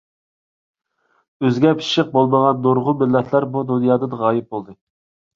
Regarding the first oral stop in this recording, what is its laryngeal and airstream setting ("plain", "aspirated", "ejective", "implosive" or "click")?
plain